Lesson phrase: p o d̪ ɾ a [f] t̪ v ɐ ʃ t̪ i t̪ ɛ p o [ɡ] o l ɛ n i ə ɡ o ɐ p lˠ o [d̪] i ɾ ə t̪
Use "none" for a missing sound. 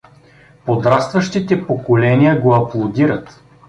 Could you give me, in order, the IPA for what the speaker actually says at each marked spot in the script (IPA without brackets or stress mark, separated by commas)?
s, k, d̪